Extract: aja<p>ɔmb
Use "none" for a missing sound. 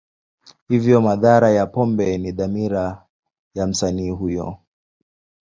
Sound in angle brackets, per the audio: p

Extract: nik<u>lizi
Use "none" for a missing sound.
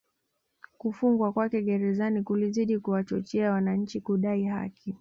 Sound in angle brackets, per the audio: u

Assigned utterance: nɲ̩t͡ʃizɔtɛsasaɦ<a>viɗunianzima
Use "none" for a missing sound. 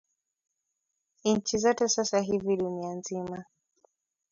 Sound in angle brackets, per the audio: i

